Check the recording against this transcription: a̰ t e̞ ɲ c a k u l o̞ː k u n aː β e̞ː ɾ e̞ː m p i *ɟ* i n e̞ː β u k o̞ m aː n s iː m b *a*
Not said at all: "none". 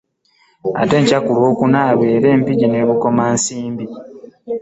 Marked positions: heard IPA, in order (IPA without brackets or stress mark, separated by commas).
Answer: ɟ, i